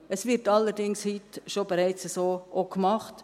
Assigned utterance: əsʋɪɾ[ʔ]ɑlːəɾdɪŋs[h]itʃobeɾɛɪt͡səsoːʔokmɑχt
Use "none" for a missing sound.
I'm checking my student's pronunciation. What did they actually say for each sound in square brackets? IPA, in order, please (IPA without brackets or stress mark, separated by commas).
t, h